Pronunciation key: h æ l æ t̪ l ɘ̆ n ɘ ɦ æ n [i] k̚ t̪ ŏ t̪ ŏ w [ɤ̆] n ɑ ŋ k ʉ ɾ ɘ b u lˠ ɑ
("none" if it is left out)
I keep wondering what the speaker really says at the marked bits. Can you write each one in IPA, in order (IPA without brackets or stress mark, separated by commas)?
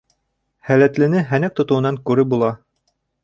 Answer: æ, ɤ̆